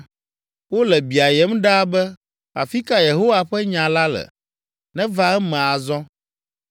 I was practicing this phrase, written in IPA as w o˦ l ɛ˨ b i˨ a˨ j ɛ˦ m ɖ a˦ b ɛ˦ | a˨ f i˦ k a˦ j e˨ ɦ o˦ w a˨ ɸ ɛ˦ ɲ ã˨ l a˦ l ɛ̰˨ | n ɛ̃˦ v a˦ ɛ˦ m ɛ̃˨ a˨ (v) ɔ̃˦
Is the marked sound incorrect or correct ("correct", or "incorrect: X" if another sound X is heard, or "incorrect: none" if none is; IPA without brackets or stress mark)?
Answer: incorrect: z